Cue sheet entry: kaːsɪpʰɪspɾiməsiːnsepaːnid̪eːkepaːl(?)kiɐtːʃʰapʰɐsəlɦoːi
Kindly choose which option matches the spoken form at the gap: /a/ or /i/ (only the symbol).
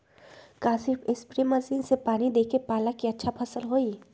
a